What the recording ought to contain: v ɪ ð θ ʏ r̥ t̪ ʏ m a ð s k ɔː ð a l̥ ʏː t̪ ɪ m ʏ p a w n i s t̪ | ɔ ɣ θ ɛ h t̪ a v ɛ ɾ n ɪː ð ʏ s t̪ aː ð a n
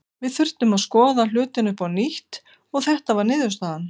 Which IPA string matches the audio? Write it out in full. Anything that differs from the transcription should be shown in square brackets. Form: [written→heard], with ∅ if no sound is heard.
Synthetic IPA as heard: v ɪ ð θ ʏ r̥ t̪ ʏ m a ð s k ɔː ð a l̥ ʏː t̪ ɪ [m→n] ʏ p a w n i [s→h] t̪ | ɔ ɣ θ ɛ h t̪ a v [ɛ→a] ɾ n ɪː ð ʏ s t̪ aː ð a n